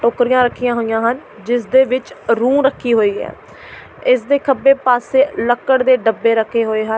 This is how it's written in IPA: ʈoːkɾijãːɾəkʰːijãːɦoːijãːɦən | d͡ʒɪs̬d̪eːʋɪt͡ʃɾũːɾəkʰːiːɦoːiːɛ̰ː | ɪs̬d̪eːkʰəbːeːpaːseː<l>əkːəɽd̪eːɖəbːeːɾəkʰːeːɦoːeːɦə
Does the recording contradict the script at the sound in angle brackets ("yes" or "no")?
no